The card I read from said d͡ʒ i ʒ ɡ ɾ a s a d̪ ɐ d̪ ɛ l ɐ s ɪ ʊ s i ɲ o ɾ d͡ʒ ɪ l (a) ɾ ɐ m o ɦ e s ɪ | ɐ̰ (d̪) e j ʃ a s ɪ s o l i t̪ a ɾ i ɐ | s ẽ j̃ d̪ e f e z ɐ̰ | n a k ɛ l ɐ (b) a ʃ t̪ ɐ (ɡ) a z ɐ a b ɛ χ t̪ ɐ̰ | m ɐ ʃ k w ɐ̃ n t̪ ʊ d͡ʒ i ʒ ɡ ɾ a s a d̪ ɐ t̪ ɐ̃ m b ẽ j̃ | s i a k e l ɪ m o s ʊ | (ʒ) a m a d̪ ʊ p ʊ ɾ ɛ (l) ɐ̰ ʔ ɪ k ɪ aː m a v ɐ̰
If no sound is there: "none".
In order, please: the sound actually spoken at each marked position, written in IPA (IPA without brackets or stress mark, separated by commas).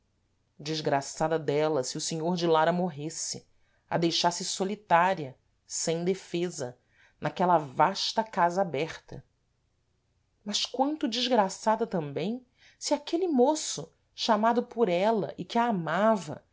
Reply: a, d̪, v, k, ʃ, l